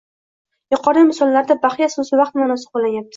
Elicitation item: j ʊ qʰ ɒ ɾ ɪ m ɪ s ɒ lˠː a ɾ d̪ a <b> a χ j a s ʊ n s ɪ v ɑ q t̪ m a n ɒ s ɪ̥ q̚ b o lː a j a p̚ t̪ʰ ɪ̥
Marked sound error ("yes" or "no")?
no